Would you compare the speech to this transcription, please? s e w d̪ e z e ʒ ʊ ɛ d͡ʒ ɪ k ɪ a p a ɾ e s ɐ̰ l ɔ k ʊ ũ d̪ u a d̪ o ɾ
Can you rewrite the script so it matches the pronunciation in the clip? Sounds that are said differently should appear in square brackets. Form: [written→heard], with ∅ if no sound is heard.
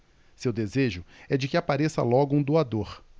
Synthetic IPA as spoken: s e w d̪ e z e ʒ ʊ ɛ d͡ʒ ɪ k ɪ a p a ɾ e s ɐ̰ l ɔ [k→ɡ] ʊ ũ d̪ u a d̪ o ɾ